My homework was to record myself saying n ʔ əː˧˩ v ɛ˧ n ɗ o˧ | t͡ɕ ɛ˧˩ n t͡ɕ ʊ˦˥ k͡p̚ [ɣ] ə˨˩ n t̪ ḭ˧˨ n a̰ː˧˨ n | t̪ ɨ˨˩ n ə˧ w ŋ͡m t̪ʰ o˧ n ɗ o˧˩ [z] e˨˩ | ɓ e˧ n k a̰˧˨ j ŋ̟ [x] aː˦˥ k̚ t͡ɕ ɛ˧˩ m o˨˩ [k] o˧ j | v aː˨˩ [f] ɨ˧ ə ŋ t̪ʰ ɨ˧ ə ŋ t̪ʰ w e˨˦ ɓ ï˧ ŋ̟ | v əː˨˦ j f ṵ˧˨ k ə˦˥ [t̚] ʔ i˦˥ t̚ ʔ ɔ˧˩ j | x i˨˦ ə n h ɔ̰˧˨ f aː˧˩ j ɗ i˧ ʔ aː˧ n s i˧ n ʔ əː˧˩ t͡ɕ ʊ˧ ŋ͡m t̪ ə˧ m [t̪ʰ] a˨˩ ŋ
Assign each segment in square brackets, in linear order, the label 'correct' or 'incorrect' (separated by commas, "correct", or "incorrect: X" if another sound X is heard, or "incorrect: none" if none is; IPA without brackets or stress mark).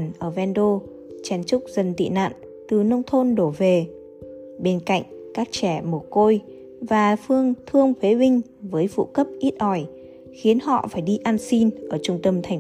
incorrect: z, incorrect: v, incorrect: k, correct, correct, incorrect: p̚, correct